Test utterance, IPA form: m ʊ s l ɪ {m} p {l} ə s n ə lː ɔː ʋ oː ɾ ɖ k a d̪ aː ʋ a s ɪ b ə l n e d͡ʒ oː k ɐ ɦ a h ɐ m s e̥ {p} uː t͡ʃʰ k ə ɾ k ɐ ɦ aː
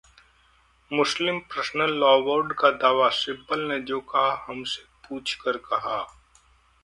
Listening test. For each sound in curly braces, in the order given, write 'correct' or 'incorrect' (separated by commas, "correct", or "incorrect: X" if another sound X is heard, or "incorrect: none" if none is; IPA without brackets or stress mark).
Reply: correct, incorrect: ɾ, correct